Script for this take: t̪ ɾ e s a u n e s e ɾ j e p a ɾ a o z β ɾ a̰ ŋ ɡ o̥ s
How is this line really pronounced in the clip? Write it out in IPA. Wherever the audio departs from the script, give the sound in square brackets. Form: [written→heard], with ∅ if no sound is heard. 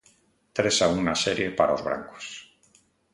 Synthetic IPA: t̪ ɾ e s a u n [e→a] s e ɾ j e p a ɾ a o z β ɾ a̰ ŋ [ɡ→k] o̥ s